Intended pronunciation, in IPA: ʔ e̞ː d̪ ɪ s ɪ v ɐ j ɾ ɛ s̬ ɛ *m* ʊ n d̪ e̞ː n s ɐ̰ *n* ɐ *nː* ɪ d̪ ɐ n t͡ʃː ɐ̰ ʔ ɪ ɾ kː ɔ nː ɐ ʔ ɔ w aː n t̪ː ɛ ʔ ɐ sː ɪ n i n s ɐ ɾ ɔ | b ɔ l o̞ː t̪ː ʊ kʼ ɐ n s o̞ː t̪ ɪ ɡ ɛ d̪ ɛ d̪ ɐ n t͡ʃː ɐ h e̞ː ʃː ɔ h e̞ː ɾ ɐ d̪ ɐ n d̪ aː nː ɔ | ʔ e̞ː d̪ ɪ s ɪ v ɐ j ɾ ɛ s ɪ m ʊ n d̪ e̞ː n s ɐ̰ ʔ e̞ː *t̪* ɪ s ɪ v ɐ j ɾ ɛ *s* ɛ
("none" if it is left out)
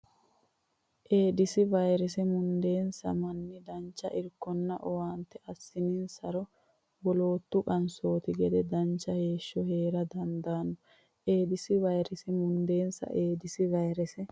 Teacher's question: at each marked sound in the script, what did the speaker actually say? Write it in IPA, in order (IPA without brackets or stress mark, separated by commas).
m, m, nː, d̪, s